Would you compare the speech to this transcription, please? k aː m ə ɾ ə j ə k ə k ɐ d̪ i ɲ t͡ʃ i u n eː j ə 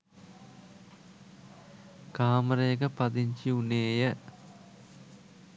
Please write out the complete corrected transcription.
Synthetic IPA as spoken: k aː m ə ɾ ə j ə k ə p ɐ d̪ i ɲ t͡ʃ i u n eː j ə